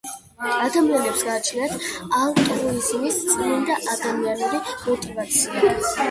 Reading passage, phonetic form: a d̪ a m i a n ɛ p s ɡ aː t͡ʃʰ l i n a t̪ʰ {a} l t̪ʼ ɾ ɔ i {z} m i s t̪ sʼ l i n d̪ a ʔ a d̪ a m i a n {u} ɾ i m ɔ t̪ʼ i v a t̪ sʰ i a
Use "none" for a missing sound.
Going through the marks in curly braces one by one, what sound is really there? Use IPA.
a, z, u

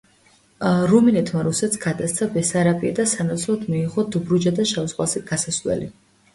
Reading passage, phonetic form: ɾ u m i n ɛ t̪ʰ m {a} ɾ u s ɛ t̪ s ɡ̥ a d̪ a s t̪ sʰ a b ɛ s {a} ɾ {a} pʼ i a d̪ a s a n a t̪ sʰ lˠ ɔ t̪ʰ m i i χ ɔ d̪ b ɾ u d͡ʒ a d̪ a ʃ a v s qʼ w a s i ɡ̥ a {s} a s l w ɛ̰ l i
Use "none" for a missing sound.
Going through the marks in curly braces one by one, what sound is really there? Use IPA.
a, a, a, s

